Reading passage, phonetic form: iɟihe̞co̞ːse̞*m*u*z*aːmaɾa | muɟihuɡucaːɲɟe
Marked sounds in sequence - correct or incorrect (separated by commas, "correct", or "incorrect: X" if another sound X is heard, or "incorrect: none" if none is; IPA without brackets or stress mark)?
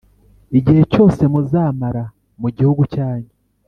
correct, correct